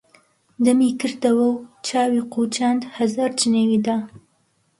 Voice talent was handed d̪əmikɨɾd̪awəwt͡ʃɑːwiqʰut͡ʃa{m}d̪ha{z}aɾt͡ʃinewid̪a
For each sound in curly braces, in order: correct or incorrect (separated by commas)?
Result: incorrect, correct